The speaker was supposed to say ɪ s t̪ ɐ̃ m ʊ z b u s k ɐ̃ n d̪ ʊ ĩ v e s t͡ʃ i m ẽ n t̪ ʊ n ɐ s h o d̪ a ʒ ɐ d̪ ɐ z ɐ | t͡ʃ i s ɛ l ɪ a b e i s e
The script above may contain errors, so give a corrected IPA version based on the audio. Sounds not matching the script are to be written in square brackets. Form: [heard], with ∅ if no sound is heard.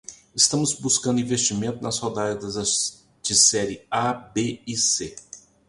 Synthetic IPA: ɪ s t̪ ɐ̃ m ʊ z b u s k ɐ̃ n d̪ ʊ ĩ v e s t͡ʃ i m ẽ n t̪ ʊ n ɐ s h o d̪ a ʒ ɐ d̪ ɐ z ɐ | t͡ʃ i s ɛ [ɾ] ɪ a b e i s e